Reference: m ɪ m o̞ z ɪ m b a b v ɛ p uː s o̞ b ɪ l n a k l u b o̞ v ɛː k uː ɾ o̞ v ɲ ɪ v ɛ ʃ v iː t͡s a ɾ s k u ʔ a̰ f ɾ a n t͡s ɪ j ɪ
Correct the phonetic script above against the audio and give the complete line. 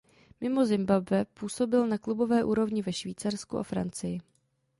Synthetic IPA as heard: m ɪ m o̞ z ɪ m b a b v ɛ p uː s o̞ b ɪ l n a k l u b o̞ v ɛː ʔ uː ɾ o̞ v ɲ ɪ v ɛ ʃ v iː t͡s a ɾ s k u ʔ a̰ f ɾ a n t͡s ɪ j ɪ